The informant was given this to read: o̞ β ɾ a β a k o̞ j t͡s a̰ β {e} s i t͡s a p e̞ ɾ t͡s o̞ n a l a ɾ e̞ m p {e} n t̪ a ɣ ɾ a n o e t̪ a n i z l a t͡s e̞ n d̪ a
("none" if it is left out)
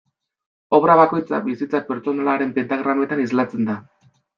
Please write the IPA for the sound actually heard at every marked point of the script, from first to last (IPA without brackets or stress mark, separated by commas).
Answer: i, e